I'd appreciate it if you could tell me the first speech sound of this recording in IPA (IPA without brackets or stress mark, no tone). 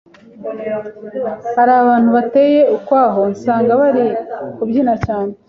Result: h